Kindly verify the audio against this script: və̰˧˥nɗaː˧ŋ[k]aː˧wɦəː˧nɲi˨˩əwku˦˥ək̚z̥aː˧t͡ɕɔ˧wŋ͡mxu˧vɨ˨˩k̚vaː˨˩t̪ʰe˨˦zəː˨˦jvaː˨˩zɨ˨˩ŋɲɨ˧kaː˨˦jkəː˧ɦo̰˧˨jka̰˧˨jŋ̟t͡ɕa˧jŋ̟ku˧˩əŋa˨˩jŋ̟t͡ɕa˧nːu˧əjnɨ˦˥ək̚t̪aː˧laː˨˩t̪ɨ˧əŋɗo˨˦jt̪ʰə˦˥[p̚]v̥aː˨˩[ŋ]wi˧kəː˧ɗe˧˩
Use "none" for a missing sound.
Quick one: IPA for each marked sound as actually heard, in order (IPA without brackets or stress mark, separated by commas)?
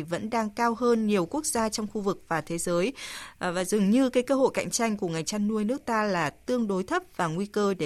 k, p̚, ŋ